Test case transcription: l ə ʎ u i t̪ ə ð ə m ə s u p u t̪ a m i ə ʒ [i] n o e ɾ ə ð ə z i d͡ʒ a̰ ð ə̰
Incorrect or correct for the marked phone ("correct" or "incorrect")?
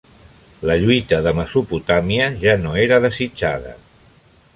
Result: incorrect